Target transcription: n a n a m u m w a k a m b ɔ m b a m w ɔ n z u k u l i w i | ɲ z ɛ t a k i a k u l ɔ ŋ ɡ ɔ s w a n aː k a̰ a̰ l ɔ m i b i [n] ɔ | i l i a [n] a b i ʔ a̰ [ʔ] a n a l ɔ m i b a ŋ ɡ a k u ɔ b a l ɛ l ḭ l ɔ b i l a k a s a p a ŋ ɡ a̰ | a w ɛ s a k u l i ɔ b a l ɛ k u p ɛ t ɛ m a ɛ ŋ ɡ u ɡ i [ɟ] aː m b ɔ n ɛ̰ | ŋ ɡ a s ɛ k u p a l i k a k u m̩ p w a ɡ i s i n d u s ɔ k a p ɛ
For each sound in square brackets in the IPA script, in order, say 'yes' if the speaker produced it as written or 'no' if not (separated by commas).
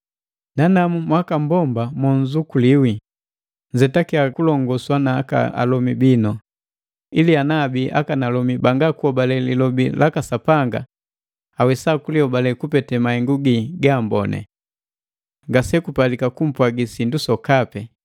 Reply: yes, yes, no, no